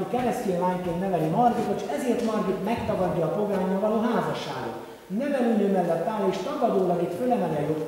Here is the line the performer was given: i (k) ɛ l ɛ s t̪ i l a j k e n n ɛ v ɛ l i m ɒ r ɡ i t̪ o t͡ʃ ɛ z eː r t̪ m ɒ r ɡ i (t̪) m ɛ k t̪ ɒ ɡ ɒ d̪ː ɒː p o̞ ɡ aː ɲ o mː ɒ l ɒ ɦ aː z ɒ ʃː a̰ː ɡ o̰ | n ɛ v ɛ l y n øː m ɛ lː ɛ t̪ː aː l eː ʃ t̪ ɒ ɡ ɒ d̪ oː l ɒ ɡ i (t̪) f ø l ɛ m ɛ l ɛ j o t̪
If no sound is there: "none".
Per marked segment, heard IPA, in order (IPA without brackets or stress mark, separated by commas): k, t̪, t̪